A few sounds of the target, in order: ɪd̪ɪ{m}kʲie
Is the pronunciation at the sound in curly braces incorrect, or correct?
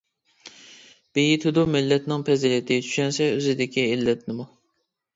incorrect